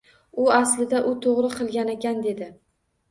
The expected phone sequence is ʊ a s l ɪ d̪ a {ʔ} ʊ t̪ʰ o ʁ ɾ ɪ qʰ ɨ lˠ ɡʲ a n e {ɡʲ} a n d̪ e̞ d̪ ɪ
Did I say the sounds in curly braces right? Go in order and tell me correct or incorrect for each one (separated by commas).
correct, incorrect